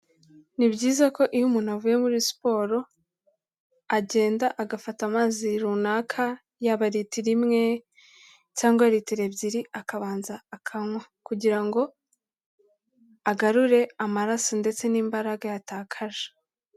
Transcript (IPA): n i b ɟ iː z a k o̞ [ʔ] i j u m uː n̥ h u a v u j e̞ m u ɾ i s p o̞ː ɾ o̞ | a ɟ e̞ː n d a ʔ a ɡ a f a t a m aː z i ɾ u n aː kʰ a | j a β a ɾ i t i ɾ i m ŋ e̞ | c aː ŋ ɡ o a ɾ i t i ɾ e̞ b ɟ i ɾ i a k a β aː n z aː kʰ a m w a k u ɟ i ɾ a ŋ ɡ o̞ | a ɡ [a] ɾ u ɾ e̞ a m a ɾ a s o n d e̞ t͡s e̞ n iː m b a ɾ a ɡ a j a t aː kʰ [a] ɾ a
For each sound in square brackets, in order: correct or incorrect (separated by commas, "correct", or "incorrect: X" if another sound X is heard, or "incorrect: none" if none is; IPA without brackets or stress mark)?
correct, correct, correct